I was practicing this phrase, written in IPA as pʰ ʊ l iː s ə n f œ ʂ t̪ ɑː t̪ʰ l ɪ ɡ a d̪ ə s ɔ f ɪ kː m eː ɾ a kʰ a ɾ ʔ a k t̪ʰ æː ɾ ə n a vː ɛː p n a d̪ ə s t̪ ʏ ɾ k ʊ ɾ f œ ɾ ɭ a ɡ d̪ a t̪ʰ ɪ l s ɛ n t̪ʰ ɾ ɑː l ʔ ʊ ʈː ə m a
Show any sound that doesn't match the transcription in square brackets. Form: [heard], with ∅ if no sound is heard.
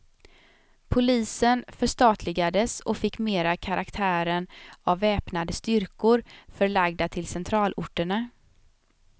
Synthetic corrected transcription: pʰ ʊ l iː s ə n f œ ʂ t̪ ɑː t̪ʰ l ɪ ɡ a d̪ ə s ɔ f ɪ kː m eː ɾ a kʰ a ɾ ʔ a k t̪ʰ æː ɾ ə n a vː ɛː p n a d̪ ə s t̪ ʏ ɾ k ʊ ɾ f œ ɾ ɭ a ɡ d̪ a t̪ʰ ɪ l s ɛ n t̪ʰ ɾ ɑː l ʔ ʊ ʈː ə [ɳ] a